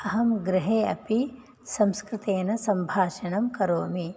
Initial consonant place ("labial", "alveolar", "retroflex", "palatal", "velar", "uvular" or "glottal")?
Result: glottal